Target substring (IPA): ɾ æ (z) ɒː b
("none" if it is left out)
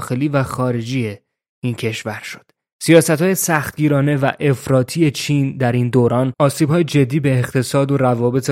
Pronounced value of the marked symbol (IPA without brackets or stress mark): v